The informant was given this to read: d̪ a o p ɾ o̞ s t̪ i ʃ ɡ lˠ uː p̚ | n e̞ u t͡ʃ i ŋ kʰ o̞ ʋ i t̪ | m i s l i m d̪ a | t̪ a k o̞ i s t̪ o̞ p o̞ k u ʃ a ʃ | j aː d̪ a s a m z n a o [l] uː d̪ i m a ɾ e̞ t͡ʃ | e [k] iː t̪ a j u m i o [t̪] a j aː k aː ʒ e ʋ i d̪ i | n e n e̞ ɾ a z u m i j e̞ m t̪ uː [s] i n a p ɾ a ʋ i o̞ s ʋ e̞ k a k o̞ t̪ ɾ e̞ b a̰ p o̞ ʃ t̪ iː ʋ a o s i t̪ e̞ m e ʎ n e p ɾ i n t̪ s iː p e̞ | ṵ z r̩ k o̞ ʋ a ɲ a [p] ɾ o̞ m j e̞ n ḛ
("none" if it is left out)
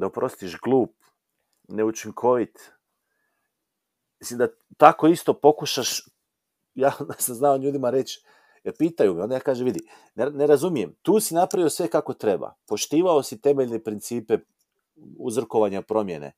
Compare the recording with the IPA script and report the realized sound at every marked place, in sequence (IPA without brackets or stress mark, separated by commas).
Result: ʎ, p, d̪, s, p